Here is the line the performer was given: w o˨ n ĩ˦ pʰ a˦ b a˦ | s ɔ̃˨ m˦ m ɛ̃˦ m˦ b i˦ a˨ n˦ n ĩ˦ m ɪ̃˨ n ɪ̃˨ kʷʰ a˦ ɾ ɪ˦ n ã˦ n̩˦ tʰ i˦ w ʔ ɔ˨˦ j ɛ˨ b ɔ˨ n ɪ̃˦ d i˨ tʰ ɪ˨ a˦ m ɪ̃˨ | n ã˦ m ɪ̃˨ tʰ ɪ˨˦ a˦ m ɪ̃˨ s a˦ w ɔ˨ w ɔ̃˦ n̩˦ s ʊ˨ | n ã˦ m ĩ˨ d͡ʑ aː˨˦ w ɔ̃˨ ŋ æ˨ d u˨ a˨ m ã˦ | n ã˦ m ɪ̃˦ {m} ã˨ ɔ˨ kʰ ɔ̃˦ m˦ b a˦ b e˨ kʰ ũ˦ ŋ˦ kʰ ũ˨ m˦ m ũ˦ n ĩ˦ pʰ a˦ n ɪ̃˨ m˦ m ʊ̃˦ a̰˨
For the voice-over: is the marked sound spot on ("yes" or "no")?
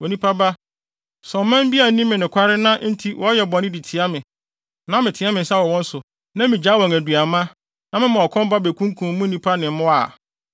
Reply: yes